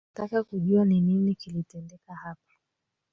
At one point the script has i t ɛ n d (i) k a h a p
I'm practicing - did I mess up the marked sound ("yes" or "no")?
yes